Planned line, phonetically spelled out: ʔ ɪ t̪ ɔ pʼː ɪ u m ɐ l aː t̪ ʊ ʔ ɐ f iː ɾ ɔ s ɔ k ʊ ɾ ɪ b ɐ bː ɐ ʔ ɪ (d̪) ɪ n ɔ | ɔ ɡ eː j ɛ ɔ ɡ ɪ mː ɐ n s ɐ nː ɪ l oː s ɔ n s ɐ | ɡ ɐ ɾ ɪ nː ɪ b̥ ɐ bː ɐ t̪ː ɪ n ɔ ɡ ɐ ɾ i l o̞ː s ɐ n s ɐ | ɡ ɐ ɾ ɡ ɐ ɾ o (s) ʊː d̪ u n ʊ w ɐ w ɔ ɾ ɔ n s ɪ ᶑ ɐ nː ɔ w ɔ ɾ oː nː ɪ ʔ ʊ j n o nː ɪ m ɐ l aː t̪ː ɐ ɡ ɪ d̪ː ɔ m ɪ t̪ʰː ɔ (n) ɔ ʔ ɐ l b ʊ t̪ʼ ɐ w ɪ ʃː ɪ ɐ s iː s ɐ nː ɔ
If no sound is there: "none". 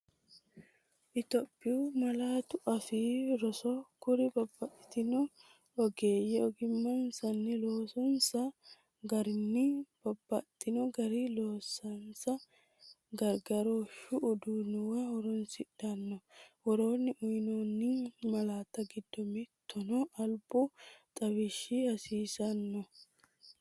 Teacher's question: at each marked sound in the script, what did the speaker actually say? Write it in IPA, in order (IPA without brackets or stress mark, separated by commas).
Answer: t̪, ʃ, n